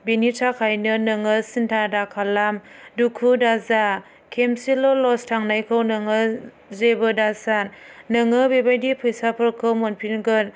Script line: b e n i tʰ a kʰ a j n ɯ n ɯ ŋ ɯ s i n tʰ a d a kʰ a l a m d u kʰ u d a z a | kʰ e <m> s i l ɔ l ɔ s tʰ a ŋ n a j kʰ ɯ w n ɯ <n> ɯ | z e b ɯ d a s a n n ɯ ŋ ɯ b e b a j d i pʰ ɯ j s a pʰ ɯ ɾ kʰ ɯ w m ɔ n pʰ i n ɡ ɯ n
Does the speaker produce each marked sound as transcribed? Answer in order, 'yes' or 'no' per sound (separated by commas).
yes, no